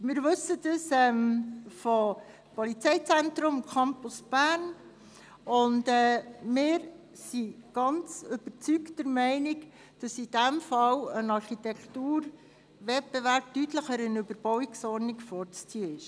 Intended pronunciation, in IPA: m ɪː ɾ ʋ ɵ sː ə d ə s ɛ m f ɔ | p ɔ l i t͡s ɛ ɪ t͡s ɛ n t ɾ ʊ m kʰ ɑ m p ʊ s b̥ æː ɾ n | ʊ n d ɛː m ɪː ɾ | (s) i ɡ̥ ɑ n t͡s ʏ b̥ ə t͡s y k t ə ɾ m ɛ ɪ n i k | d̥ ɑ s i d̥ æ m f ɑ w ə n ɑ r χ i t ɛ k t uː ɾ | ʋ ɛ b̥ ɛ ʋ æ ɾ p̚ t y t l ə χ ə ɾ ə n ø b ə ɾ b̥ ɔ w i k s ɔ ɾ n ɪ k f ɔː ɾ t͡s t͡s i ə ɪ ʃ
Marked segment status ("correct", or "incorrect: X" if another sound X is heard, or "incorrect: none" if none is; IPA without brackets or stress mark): correct